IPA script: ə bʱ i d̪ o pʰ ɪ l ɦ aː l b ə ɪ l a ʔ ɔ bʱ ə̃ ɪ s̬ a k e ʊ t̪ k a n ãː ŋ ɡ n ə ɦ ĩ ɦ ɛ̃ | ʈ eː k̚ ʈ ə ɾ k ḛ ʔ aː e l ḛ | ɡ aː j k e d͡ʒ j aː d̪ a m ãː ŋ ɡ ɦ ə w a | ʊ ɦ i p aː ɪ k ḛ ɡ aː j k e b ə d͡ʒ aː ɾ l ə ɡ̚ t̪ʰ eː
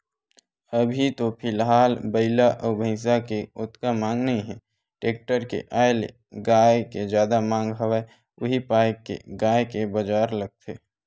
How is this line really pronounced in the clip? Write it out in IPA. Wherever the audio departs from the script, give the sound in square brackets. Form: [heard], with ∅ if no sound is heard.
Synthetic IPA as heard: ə bʱ i [t̪] o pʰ ɪ l ɦ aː l b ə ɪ l a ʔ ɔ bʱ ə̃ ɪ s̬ a k e ʊ t̪ k a [m] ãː ŋ ɡ n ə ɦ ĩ ɦ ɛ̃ | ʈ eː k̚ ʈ ə ɾ k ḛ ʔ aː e l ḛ | ɡ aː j k e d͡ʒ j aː d̪ a m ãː ŋ ɡ ɦ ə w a | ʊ ɦ i p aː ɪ k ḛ ɡ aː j k e b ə d͡ʒ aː ɾ l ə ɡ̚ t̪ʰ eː